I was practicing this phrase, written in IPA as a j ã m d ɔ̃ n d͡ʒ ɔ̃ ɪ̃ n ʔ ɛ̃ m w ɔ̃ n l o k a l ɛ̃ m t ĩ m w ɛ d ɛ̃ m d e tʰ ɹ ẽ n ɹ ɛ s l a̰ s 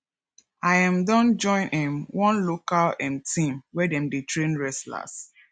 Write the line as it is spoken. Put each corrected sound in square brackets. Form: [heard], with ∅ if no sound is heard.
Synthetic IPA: a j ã m d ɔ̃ n d͡ʒ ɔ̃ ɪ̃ n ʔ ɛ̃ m w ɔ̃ n l o k a l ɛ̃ m t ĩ m w ɛ d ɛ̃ m d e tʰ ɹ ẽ n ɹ ɛ s l a̰ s